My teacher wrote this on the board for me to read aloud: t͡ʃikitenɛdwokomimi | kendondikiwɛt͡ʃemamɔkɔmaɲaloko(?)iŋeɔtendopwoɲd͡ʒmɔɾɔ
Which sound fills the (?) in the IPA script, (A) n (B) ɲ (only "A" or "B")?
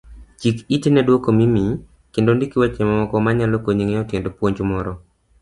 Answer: B